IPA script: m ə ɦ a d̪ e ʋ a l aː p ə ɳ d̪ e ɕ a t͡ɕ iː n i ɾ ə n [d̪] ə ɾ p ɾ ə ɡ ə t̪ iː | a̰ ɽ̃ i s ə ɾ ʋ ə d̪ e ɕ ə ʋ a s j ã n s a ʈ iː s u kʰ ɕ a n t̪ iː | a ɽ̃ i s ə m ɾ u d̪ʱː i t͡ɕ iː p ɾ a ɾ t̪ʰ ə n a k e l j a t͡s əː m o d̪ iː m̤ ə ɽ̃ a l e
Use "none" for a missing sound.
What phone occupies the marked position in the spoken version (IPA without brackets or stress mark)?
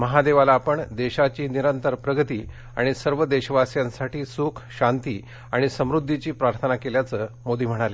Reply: t̪